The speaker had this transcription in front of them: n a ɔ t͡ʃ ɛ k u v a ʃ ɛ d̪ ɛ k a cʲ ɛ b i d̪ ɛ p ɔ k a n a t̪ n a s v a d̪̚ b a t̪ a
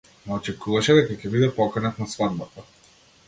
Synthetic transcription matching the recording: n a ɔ t͡ʃ ɛ k u v a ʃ ɛ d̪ ɛ k a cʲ ɛ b i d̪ ɛ p ɔ k a n a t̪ n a s v a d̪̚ b a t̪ a